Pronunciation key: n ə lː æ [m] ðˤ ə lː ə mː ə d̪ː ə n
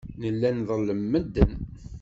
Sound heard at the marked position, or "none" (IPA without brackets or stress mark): n